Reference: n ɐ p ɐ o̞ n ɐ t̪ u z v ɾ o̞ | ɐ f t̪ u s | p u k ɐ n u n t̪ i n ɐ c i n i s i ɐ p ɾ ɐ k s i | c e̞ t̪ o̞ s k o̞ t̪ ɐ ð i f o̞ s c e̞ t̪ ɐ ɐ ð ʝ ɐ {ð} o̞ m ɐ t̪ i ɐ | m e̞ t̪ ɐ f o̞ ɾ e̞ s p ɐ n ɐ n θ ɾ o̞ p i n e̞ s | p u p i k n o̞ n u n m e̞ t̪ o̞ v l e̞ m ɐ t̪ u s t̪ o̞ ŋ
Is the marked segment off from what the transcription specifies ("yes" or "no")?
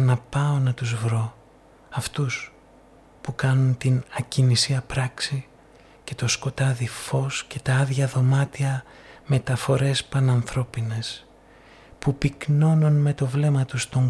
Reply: no